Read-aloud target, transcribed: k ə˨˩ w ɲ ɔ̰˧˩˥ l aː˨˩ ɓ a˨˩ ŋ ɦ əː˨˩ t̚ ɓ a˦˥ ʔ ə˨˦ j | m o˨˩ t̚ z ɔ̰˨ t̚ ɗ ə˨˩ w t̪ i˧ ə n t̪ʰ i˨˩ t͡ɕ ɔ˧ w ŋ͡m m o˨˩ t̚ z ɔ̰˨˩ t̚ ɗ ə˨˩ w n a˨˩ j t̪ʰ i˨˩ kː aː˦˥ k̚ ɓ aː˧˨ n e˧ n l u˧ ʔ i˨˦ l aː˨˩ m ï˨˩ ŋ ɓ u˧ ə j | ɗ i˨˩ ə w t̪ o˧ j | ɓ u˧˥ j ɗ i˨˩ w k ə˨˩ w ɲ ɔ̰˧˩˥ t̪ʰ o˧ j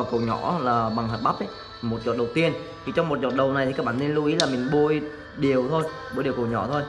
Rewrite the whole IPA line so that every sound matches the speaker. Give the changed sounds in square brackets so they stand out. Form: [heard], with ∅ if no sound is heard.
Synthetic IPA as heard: k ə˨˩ w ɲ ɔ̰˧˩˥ l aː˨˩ ɓ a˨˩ ŋ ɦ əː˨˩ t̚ ɓ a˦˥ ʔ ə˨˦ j | m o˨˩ t̚ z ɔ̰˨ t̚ ɗ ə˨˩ w t̪ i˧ ə n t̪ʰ i˨˩ t͡ɕ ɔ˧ w ŋ͡m m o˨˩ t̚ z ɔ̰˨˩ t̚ ɗ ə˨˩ w n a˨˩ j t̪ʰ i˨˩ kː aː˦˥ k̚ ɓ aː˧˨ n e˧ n l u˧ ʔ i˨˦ l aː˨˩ m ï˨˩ ŋ ɓ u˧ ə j | ɗ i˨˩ ə w [t̪ʰ] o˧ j | ɓ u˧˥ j ɗ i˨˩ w k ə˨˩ w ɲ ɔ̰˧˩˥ t̪ʰ o˧ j